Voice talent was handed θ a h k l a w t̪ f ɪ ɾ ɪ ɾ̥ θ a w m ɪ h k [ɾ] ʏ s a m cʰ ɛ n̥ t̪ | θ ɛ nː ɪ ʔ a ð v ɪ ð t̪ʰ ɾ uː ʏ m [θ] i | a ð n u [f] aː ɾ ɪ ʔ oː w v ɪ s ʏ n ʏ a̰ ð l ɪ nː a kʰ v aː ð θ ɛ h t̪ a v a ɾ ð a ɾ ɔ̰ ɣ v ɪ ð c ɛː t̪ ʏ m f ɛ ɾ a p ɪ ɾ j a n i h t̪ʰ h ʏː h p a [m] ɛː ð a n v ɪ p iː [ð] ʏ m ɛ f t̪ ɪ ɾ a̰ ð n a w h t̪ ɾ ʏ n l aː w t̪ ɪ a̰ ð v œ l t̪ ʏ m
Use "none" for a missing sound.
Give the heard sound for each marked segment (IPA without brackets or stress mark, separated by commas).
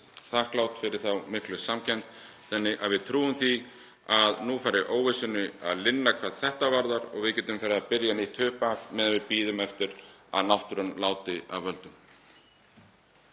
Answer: l, θ, f, m, ð